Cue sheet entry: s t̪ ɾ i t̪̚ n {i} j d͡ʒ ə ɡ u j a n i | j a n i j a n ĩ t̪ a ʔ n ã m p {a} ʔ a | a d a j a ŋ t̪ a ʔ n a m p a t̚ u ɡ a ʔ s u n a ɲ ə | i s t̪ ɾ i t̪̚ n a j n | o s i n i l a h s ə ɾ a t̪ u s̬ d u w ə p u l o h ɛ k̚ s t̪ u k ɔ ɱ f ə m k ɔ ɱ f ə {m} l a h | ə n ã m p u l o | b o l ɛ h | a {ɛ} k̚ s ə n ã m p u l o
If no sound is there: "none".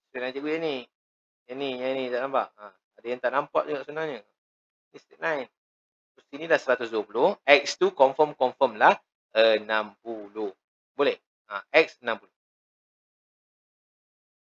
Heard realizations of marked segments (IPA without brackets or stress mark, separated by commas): a, a, m, ɛ